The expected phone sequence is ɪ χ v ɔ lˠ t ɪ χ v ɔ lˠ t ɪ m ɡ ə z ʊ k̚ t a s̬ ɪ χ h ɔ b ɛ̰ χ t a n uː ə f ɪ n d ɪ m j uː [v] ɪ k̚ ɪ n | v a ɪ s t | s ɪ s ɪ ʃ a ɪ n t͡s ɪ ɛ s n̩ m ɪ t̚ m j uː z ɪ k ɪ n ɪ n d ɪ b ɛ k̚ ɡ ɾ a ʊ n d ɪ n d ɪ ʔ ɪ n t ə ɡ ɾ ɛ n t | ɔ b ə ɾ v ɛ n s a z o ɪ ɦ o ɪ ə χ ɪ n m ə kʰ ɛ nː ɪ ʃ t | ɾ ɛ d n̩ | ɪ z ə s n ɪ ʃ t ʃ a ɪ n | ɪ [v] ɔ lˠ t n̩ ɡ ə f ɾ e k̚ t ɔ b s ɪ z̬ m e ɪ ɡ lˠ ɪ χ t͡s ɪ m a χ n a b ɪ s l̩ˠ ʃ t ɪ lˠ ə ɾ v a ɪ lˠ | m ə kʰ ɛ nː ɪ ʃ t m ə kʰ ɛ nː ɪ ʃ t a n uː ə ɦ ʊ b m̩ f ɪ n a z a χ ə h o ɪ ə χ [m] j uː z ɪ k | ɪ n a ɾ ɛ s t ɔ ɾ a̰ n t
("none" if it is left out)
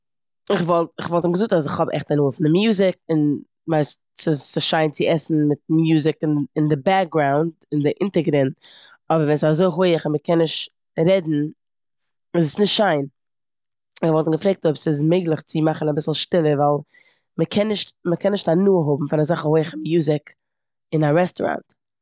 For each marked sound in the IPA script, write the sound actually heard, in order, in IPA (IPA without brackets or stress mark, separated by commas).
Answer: z, v, m